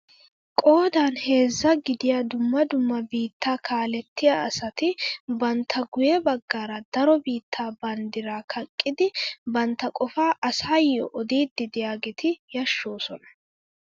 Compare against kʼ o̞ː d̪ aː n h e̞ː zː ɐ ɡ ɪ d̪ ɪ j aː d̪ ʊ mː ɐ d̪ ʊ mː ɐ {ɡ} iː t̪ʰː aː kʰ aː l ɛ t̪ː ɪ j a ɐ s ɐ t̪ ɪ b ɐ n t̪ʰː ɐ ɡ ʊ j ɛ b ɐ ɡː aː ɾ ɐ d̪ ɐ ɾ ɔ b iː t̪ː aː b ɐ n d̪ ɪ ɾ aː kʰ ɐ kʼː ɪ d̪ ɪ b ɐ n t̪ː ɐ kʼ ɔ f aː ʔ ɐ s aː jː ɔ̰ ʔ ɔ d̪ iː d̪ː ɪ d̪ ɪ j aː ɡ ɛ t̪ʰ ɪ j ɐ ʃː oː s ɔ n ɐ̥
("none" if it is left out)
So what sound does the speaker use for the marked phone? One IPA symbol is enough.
b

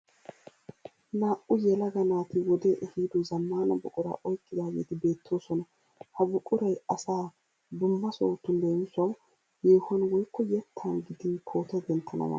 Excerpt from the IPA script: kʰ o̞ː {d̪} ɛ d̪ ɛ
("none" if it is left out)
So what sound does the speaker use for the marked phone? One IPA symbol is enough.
t̪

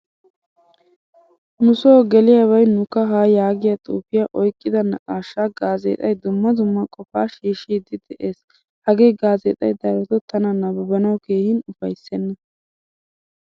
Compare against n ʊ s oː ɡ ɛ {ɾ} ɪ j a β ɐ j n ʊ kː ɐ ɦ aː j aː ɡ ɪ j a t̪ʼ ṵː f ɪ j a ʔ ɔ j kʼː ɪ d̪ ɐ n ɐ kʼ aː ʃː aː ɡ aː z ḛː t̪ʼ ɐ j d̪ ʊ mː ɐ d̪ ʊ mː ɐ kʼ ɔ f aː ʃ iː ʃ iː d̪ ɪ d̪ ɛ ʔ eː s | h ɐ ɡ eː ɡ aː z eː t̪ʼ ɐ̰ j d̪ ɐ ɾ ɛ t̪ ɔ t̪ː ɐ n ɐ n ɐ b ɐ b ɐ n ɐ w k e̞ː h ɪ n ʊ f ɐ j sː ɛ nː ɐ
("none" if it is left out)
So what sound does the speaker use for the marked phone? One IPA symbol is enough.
l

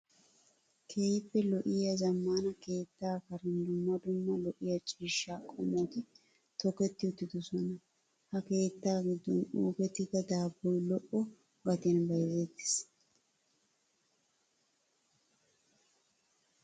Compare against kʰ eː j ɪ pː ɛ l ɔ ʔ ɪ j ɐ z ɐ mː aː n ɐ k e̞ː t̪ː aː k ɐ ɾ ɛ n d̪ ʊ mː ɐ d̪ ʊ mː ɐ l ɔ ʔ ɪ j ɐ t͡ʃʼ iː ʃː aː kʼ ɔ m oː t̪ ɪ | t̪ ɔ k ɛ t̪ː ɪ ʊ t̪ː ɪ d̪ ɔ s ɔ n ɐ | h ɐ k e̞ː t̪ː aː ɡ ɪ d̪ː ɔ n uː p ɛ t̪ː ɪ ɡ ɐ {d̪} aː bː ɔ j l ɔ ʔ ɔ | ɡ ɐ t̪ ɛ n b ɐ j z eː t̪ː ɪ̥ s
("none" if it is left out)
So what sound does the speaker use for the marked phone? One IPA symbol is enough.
d̪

